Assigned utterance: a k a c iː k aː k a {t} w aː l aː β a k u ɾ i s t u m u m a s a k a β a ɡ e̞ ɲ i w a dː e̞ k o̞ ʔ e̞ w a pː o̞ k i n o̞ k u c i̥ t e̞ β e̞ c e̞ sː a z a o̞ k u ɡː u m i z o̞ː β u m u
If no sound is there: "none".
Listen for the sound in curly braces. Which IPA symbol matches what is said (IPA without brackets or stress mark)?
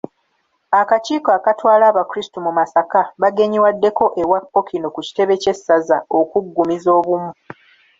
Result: t